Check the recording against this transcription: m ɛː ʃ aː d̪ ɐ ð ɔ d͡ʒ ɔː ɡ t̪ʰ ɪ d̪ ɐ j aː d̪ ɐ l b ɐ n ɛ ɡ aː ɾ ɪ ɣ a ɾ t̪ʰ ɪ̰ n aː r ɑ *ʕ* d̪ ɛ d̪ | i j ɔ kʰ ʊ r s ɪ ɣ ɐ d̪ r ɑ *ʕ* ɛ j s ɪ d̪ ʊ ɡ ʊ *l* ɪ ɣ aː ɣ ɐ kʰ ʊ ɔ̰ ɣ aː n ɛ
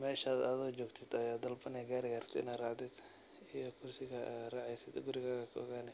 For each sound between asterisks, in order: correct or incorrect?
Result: correct, correct, incorrect

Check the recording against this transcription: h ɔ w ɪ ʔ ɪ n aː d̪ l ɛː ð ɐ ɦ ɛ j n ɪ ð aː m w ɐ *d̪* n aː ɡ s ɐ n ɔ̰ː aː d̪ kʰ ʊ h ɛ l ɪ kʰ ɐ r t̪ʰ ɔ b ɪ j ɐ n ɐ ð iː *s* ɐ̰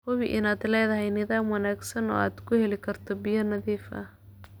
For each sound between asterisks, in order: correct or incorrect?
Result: incorrect, incorrect

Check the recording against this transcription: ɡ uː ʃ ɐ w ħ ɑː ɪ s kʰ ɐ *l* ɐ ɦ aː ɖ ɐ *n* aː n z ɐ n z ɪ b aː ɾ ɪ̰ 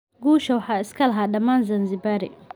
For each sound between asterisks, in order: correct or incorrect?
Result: correct, incorrect

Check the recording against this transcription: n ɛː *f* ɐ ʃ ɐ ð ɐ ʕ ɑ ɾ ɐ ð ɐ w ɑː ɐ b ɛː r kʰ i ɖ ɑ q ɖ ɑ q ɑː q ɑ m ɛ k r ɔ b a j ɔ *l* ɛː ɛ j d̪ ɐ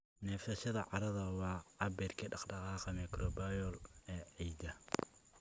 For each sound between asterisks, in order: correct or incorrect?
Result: correct, correct

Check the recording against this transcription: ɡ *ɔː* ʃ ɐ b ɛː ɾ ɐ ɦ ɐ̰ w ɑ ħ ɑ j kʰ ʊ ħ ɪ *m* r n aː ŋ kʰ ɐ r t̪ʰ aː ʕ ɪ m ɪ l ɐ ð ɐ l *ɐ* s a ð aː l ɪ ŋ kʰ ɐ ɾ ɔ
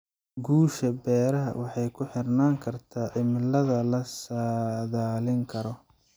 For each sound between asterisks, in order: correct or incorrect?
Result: incorrect, incorrect, correct

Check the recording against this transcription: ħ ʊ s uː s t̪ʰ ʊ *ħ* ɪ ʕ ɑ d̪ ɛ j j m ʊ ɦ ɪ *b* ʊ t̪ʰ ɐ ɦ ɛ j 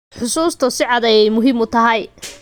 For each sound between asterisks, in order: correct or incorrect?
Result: incorrect, incorrect

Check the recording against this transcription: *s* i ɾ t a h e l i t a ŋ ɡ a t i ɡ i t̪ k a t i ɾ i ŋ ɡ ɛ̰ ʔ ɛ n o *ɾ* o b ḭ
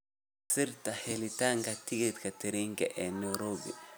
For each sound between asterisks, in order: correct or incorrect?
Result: correct, correct

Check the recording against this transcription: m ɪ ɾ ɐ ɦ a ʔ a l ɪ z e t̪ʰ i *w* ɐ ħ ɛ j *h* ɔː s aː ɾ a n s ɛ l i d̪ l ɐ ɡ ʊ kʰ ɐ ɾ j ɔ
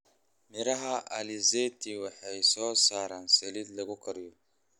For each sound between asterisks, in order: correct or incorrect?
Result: correct, incorrect

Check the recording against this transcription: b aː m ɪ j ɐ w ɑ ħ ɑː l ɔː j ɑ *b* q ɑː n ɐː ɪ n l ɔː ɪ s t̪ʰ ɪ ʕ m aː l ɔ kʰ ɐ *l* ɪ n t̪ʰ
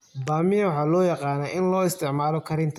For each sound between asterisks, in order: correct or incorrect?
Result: incorrect, incorrect

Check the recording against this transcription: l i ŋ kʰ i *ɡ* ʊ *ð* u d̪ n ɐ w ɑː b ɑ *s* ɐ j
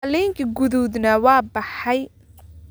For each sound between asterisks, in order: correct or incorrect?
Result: correct, correct, incorrect

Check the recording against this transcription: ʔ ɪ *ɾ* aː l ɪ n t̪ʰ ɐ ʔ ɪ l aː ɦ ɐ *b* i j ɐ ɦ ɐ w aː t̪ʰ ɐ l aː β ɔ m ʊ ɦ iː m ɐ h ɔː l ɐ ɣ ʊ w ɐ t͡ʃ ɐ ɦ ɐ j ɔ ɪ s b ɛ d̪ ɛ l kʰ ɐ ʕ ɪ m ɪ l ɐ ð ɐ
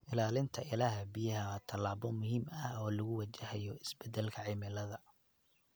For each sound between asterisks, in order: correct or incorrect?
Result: incorrect, correct

